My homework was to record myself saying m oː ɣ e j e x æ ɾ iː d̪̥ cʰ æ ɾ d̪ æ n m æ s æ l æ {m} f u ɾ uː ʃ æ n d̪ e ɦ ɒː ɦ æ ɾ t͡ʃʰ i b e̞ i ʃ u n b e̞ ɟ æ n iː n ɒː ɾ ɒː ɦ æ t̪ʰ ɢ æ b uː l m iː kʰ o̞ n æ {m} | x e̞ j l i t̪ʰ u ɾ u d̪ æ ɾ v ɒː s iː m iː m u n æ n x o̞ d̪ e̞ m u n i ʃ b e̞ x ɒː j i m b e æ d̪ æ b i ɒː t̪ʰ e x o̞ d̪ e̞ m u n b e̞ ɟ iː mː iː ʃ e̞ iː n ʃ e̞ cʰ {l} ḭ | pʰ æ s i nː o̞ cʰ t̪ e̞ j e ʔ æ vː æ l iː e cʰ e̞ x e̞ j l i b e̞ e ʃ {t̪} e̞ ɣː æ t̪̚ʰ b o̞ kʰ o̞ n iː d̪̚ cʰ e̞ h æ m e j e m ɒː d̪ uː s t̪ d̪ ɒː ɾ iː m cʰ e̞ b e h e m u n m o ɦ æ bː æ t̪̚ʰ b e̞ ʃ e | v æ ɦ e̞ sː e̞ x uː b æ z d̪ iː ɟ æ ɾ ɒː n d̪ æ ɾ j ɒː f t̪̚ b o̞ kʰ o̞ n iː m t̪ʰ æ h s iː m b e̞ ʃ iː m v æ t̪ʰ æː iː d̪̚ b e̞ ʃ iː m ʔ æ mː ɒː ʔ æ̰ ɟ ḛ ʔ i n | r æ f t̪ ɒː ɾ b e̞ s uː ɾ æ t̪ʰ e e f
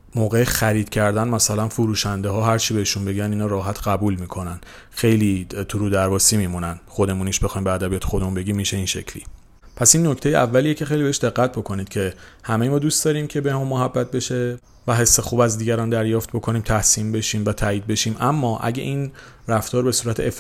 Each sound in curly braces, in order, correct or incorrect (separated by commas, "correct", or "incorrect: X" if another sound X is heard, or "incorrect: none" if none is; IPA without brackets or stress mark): incorrect: n, incorrect: n, correct, incorrect: d̪